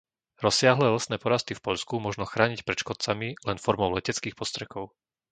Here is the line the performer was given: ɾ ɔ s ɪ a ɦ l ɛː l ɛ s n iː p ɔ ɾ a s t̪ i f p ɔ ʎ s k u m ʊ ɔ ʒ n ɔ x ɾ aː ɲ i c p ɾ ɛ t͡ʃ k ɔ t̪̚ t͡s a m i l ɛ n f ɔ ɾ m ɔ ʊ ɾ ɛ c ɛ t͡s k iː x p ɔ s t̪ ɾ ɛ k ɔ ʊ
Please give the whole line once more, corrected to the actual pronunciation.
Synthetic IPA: ɾ ɔ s ɪ a ɦ l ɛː l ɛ s n ɛː p ɔ ɾ a s t̪ i f p ɔ ʎ s k u m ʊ ɔ ʒ n ɔ x ɾ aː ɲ i c p ɾ ɛ t͡ʃ k ɔ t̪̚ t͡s a m i l ɛ n f ɔ ɾ m ɔ ʊ l ɛ c ɛ t͡s k iː x p ɔ s t̪ ɾ ɛ k ɔ ʊ